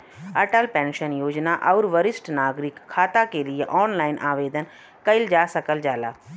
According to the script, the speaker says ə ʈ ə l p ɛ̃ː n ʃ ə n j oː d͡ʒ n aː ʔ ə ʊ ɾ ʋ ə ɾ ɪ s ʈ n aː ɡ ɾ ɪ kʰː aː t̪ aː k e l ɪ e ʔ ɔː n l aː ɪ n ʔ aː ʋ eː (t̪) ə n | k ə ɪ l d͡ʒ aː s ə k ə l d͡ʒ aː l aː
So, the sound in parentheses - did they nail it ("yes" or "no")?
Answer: no